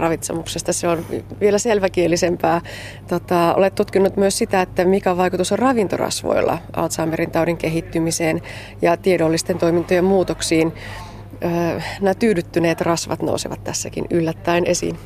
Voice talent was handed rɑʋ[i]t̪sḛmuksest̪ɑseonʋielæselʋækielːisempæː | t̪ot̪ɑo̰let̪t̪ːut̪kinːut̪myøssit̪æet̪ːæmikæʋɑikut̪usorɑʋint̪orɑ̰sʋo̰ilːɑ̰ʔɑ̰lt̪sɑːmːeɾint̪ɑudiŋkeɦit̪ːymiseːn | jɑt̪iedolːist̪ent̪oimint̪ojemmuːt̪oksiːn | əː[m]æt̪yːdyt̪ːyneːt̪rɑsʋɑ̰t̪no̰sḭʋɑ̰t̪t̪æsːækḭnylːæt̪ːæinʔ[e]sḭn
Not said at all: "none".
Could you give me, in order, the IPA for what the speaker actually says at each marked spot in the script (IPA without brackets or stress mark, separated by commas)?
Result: i, n, e